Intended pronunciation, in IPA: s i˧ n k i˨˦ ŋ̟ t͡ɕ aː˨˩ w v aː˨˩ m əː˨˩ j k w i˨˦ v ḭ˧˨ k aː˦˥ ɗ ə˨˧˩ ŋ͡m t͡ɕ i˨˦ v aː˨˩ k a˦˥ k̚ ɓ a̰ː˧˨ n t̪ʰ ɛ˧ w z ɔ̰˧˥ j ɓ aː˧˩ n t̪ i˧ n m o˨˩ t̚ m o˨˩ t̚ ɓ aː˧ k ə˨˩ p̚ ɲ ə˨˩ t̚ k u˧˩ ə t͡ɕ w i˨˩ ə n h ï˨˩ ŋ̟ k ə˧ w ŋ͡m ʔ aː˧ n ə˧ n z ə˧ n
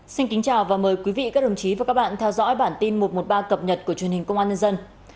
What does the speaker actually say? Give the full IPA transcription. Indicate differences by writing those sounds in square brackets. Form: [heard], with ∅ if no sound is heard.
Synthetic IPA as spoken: s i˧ n k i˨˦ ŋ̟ t͡ɕ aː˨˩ w v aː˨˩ m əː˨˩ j k w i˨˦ v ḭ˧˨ k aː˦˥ ɗ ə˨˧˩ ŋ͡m t͡ɕ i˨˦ v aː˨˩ k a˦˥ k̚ ɓ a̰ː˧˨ n t̪ʰ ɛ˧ w z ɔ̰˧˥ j ɓ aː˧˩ n t̪ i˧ n m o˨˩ t̚ m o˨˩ t̚ ɓ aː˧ k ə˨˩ p̚ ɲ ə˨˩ t̚ k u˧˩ ə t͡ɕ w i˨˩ ə n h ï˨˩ ŋ̟ k ə˧ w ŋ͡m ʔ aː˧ [ɲ] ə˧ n z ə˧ n